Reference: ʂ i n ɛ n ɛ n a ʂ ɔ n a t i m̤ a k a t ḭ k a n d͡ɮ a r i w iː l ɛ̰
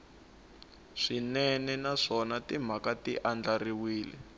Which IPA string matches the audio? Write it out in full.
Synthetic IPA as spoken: ʂ i n ɛ n ɛ n a ʂ ɔ n a t i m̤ a k a t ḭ ʔ a n d͡ɮ a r i w iː l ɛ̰